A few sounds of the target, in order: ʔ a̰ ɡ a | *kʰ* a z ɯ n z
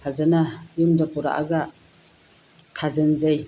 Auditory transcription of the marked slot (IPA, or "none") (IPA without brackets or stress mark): kʰ